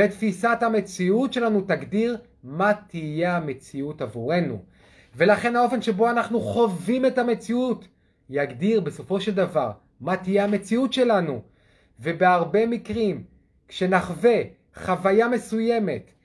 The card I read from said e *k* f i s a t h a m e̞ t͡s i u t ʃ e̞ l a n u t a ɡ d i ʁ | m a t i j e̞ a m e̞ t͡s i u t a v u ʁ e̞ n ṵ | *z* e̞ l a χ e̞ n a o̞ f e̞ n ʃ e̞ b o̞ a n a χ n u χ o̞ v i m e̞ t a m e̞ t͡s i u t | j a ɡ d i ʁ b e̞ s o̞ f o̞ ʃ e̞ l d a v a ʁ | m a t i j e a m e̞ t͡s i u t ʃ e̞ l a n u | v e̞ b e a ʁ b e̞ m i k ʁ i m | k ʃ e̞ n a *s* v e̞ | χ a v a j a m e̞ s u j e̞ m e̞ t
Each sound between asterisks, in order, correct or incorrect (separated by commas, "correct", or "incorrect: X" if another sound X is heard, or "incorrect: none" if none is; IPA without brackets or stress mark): incorrect: t, incorrect: v, incorrect: χ